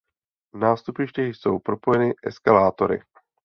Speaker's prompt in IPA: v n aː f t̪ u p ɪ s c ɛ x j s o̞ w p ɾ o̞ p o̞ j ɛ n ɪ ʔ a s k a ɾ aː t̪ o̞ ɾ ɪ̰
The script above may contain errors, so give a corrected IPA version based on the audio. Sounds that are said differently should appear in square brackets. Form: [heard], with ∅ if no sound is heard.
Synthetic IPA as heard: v n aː [s] t̪ u p ɪ [ʃ] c ɛ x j s o̞ w p ɾ o̞ p o̞ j ɛ n ɪ ʔ [ɛ] s k a [l] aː t̪ o̞ ɾ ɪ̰